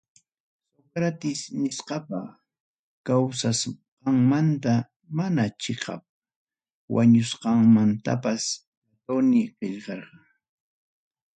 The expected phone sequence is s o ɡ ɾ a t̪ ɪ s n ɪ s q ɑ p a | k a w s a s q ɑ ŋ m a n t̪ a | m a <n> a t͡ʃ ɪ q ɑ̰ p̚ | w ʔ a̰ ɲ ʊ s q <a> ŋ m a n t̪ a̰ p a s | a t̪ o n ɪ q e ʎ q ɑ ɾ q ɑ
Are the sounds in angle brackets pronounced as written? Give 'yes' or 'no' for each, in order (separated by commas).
yes, no